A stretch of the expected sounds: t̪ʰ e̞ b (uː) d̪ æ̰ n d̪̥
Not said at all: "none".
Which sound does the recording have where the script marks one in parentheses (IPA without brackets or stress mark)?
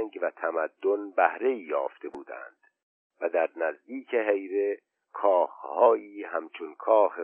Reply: uː